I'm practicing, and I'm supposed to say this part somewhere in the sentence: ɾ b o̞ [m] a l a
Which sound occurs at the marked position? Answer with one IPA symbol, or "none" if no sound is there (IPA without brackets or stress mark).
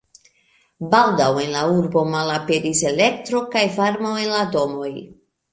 m